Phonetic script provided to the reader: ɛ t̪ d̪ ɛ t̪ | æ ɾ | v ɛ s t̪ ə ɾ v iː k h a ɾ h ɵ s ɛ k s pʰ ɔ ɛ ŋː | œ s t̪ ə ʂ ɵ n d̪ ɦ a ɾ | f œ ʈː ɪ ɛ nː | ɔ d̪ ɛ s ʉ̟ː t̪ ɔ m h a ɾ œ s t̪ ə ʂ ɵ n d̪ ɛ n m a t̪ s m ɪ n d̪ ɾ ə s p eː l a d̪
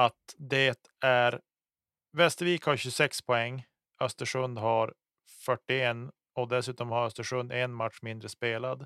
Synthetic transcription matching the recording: a t̪ d̪ ɛ t̪ | æ ɾ | v ɛ s t̪ ə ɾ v iː k h a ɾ ɕ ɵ s ɛ k s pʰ ɔ ɛ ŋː | œ s t̪ ə ʂ ɵ n d̪ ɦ a ɾ | f œ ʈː ɪ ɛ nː | ɔ d̪ ɛ s ʉ̟ː t̪ ɔ m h a ɾ œ s t̪ ə ʂ ɵ n d̪ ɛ n m a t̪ ʂ m ɪ n d̪ ɾ ə s p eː l a d̪